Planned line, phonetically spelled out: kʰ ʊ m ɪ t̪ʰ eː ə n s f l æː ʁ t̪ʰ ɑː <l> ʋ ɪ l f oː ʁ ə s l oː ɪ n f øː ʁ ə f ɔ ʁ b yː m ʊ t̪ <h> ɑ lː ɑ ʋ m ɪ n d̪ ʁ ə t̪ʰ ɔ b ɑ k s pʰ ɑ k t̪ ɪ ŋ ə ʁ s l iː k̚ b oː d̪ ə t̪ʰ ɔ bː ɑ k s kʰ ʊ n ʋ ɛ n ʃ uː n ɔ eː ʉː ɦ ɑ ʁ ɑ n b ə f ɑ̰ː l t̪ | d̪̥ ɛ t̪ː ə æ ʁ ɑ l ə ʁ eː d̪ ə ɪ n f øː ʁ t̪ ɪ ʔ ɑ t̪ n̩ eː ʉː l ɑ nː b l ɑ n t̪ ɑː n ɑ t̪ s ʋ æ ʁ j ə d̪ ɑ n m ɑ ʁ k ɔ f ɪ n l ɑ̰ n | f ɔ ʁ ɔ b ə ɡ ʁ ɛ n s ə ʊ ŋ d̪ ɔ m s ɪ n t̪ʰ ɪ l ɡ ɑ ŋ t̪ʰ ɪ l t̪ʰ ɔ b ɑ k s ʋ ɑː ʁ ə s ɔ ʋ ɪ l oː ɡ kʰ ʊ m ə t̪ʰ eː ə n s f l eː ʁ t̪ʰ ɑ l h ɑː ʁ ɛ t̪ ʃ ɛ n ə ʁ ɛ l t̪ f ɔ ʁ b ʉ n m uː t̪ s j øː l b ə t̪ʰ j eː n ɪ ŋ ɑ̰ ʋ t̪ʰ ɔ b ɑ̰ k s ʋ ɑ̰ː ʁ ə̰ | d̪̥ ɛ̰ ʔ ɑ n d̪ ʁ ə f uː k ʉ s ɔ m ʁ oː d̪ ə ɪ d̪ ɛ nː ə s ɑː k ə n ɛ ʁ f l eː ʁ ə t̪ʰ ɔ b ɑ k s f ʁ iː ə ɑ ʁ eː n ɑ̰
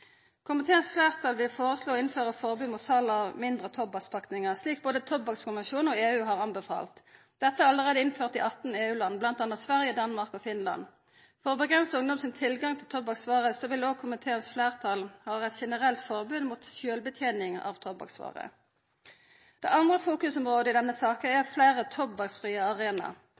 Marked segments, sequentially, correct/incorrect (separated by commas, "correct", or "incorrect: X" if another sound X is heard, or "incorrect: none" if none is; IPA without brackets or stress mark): correct, incorrect: s